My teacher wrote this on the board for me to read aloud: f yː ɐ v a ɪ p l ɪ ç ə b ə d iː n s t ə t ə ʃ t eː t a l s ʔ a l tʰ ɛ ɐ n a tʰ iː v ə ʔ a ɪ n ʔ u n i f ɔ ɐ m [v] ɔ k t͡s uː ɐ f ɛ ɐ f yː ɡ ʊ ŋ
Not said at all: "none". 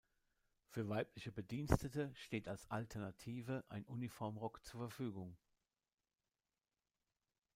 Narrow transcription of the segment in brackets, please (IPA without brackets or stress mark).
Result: ʁ